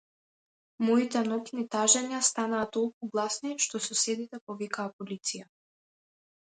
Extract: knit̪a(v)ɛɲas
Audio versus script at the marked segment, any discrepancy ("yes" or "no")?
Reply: yes